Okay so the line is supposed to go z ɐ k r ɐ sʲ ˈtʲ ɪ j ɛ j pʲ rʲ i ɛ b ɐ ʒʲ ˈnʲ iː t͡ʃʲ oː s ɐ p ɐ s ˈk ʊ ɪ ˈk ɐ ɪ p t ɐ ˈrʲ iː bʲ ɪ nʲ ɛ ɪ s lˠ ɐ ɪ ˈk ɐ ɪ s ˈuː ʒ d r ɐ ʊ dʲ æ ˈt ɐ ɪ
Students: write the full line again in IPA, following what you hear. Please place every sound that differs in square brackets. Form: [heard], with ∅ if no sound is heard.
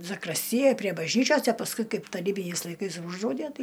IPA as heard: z ɐ k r ɐ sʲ ˈtʲ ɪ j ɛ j pʲ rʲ i ɛ b ɐ ʒʲ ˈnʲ iː t͡ʃʲ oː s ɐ p ɐ s ˈk ʊ ɪ ˈk ɐ ɪ p t ɐ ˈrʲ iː bʲ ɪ nʲ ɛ ɪ s lˠ ɐ ɪ ˈk ɐ ɪ s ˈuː ʒ d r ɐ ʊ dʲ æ ˈt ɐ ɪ